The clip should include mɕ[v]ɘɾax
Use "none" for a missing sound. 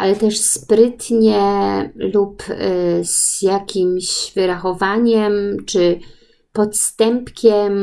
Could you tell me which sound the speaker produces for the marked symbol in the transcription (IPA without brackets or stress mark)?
v